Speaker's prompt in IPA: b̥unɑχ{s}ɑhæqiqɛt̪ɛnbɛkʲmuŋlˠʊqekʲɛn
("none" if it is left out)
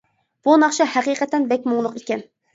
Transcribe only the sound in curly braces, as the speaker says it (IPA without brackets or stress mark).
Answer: ʃ